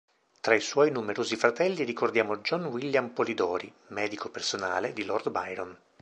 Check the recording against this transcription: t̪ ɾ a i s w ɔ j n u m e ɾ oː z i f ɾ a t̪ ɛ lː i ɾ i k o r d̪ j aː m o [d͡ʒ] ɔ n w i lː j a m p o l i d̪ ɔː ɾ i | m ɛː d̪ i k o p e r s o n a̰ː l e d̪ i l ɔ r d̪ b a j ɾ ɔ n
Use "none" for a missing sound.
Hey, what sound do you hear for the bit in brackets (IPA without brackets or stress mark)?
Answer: d͡ʒ